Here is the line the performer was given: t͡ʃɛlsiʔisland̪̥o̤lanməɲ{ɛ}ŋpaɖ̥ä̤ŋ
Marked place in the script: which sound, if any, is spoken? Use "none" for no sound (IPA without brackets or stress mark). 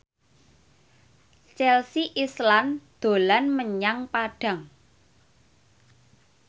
a